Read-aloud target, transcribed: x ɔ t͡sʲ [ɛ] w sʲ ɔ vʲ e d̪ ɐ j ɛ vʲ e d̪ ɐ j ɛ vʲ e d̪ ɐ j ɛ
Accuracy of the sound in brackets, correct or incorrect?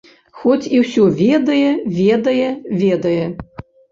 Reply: incorrect: i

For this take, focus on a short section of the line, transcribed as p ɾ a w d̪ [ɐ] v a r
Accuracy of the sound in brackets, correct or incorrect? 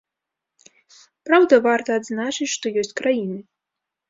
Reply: correct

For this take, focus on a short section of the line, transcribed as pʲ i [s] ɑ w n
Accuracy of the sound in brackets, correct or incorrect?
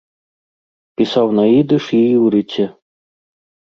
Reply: correct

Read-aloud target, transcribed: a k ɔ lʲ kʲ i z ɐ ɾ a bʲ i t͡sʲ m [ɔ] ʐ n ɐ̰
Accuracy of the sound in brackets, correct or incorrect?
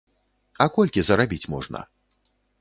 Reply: correct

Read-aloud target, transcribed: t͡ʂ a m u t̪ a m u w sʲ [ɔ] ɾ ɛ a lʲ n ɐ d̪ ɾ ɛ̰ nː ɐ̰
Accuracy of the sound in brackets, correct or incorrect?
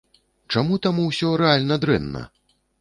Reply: correct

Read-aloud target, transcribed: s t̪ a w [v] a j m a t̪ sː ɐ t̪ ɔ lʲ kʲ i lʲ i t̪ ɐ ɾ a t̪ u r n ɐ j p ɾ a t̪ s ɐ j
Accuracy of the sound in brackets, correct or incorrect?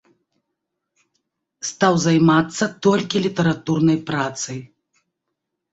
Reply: incorrect: z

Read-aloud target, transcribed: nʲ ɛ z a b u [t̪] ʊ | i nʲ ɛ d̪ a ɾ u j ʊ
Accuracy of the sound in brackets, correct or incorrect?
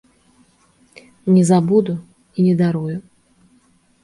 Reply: incorrect: d̪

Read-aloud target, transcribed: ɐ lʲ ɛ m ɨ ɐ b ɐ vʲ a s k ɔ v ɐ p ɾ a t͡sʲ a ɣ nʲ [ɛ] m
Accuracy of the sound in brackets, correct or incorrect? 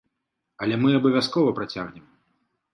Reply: correct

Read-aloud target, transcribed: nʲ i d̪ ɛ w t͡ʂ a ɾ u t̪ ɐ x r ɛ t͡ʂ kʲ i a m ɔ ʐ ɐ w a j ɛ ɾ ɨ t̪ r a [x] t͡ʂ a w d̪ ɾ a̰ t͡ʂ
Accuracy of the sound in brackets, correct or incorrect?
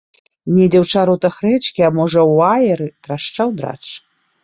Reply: incorrect: ʂ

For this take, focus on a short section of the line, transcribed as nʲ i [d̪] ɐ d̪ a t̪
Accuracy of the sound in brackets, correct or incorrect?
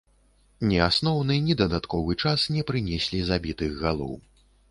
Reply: correct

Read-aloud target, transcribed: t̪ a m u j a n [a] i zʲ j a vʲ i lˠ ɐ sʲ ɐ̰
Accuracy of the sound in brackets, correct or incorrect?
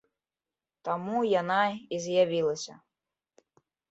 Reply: correct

